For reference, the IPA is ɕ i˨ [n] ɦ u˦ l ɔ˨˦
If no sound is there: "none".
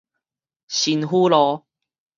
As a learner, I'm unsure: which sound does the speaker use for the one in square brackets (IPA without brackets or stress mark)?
n